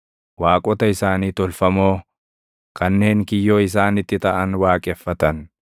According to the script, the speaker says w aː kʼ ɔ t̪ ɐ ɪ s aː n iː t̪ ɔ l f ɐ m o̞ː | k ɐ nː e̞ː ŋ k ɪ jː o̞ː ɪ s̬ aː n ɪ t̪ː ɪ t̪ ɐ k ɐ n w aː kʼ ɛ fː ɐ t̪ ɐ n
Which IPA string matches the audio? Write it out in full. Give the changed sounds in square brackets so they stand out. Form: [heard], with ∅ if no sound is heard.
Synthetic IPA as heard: w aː kʼ ɔ t̪ ɐ ɪ s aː n iː t̪ ɔ l f ɐ m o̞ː | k ɐ nː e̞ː ŋ k ɪ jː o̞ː ɪ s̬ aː n ɪ t̪ː ɪ t̪ ɐ [ʔ] ɐ n w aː kʼ ɛ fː ɐ t̪ ɐ n